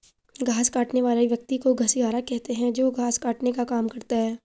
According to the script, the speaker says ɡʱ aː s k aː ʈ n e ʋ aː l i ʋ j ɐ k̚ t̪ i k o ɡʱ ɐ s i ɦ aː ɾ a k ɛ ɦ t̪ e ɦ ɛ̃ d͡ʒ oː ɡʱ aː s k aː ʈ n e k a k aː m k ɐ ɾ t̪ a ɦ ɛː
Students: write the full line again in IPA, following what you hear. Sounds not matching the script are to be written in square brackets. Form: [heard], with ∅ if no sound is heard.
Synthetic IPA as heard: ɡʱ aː s k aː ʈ n e ʋ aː l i ʋ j ɐ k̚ t̪ i k o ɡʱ ɐ s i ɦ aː ɾ a k ɛ ɦ t̪ e ɦ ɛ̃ d͡ʒ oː ɡʱ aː s k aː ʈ n e k a k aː m k ɐ ɾ t̪ a ɦ ɛː